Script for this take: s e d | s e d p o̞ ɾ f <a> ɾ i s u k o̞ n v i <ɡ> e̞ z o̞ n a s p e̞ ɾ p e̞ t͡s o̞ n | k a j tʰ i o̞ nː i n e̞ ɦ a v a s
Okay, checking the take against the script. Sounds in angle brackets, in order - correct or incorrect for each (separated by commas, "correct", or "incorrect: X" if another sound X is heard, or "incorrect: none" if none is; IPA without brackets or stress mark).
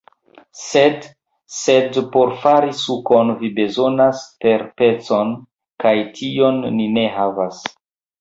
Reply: correct, incorrect: b